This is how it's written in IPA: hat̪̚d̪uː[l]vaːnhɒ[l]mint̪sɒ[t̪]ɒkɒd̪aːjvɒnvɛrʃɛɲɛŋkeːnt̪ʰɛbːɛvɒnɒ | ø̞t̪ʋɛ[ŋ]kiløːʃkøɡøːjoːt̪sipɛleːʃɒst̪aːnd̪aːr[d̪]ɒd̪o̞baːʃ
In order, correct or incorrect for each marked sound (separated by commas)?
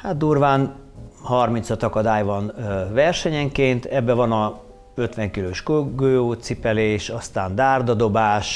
incorrect, incorrect, correct, correct, correct